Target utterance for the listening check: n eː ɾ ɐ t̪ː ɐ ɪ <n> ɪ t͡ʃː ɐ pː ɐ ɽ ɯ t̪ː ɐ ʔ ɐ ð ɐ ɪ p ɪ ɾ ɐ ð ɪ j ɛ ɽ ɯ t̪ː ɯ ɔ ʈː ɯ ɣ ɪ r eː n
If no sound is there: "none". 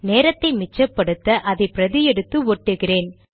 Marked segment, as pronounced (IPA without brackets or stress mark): m